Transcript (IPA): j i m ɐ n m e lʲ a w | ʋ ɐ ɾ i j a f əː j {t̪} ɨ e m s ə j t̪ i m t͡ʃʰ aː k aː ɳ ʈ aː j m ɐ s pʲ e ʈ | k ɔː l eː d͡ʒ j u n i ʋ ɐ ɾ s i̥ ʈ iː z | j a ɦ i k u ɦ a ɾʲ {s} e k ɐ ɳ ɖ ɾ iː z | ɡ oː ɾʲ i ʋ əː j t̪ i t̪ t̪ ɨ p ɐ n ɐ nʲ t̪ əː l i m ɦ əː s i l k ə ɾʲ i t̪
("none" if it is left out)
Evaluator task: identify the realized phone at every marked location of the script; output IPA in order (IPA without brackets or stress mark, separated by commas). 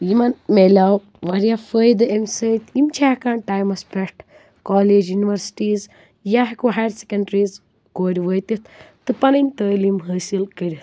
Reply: d̪, s